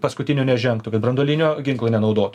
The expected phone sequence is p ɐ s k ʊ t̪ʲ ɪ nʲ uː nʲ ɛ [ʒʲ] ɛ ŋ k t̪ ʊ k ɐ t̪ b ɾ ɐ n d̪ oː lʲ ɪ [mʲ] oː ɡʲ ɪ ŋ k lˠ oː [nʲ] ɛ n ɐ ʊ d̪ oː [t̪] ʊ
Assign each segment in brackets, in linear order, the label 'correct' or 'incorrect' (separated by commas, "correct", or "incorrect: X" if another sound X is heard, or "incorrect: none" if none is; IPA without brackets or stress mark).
correct, incorrect: nʲ, correct, correct